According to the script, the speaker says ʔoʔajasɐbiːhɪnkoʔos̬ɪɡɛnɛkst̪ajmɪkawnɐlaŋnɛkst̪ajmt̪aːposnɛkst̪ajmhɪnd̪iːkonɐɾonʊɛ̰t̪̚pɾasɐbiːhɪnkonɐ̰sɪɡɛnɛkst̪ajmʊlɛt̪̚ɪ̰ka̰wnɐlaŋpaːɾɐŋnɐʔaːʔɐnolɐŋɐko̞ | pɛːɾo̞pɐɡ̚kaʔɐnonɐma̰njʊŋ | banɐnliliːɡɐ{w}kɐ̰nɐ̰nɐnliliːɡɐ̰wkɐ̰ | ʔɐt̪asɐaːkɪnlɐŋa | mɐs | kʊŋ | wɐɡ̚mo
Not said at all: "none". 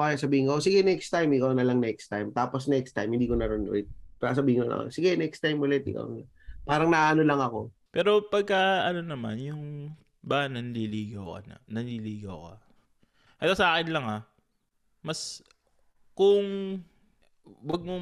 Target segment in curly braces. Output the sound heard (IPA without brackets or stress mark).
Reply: w